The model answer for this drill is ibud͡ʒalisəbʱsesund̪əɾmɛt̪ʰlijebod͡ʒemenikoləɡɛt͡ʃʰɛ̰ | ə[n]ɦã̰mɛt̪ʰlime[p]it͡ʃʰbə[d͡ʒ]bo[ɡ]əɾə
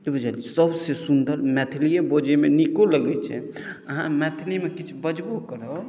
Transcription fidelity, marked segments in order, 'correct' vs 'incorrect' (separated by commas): incorrect, incorrect, correct, incorrect